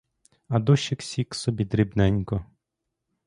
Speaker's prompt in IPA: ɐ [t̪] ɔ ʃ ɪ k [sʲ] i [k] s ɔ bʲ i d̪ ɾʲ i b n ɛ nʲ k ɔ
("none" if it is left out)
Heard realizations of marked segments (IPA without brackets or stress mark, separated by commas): d̪, sʲ, k